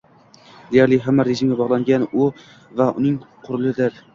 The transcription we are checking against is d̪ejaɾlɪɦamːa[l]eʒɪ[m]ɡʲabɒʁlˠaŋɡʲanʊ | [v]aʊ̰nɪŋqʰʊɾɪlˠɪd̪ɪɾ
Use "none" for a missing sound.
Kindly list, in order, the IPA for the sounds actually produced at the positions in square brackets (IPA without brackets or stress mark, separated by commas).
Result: ɾ, m, v